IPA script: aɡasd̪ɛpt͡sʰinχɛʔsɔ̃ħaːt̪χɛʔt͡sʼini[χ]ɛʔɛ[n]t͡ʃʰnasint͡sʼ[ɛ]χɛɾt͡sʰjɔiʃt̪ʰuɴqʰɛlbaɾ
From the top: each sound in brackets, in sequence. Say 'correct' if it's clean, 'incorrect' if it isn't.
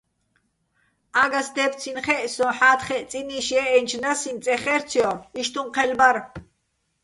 incorrect: ʃ, correct, correct

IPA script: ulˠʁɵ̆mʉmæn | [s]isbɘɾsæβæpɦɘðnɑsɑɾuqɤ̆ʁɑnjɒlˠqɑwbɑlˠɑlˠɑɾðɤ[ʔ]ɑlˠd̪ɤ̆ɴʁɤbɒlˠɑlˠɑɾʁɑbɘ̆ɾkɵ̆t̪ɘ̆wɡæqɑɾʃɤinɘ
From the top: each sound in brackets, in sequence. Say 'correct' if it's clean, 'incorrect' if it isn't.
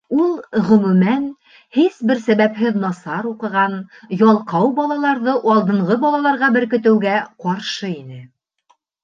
incorrect: h, correct

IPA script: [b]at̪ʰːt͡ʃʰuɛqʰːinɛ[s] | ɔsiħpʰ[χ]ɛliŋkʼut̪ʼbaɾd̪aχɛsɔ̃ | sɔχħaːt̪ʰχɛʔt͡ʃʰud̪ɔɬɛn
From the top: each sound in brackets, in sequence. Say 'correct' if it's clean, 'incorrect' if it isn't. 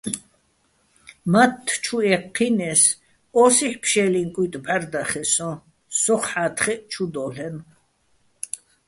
incorrect: m, correct, incorrect: ʃ

